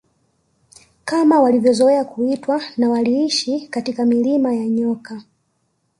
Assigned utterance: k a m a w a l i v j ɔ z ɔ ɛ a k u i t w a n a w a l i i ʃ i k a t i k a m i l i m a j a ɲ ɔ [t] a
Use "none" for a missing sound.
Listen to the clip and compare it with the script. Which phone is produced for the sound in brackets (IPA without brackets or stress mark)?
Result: k